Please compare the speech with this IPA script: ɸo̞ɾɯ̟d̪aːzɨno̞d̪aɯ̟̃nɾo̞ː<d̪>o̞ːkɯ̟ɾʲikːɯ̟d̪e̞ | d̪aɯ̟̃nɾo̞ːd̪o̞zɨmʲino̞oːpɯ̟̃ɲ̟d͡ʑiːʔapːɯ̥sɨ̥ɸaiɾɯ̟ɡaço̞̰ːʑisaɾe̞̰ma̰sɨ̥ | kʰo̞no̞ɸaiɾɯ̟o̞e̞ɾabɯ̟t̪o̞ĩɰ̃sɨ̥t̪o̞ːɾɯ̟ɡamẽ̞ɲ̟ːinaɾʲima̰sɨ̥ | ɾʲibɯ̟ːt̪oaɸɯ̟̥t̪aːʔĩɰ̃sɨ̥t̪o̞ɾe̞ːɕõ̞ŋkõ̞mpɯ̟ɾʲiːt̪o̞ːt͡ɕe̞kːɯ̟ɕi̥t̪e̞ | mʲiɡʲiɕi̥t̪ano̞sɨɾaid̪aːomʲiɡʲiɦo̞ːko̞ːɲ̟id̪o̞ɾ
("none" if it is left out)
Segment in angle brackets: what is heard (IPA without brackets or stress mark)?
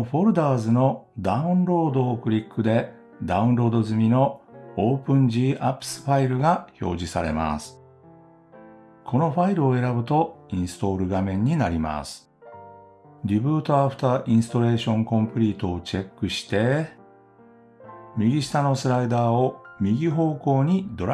d̪